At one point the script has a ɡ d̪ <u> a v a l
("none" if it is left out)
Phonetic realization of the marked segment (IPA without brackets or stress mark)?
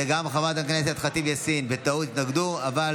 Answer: u